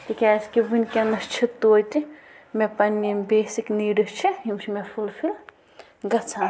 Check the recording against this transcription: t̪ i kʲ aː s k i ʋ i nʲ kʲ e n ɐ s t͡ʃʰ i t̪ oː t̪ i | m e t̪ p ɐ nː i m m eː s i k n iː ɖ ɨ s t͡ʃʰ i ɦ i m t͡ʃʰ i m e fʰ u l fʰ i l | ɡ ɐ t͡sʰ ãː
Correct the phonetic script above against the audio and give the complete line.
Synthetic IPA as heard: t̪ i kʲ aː s k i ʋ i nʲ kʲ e n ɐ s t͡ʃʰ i t̪ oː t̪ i | m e p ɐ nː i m b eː s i k n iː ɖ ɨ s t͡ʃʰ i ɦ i m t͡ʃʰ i m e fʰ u l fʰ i l | ɡ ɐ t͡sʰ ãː